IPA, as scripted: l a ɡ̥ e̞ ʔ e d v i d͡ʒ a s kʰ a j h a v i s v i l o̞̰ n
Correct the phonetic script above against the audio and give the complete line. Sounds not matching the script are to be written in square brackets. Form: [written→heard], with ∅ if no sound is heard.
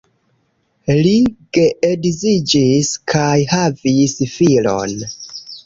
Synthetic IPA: l [a→i] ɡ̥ e̞ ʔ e d [v→z] i d͡ʒ [a→i] s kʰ a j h a v i s [v→f] i l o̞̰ n